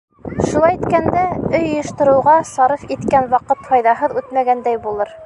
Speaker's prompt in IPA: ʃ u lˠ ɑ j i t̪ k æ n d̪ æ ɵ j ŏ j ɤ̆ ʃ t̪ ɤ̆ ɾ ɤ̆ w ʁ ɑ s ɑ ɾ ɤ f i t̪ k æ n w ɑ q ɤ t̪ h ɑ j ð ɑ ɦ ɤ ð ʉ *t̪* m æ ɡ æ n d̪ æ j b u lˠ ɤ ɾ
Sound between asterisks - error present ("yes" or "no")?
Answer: no